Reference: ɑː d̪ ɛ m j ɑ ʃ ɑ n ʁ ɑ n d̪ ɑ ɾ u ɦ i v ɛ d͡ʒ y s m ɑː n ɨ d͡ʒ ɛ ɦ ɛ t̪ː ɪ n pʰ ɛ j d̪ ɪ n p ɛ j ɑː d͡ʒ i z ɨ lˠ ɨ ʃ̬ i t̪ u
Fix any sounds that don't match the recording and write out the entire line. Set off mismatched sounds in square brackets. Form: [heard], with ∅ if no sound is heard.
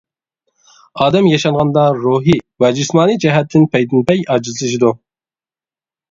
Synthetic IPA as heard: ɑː d̪ ɛ m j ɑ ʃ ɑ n ʁ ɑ n d̪ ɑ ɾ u ɦ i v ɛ d͡ʒ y s m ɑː n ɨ d͡ʒ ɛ ɦ ɛ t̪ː ɪ n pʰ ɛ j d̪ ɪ n p ɛ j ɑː d͡ʒ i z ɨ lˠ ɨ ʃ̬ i [d̪] u